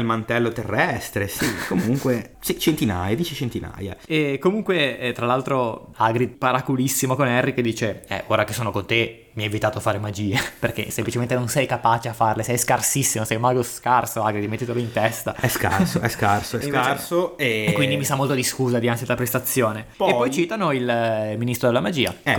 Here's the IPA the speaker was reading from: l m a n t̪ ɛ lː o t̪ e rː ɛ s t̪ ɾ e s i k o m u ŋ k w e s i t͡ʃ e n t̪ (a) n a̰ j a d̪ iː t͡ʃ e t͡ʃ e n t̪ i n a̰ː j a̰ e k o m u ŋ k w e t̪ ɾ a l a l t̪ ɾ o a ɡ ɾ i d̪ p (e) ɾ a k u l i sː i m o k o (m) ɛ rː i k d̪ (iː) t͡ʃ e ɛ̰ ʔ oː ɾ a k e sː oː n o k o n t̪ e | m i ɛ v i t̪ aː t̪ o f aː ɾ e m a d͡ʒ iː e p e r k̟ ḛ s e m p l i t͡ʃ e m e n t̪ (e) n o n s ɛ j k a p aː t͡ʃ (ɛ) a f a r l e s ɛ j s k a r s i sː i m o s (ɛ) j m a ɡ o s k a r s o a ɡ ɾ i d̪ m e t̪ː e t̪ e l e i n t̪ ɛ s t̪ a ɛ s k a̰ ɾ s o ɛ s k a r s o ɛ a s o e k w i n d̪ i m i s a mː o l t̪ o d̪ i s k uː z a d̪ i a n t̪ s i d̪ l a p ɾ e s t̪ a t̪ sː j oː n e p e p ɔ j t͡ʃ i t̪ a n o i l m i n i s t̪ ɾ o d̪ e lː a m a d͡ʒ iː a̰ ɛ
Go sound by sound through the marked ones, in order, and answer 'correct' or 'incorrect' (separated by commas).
incorrect, incorrect, incorrect, correct, correct, incorrect, correct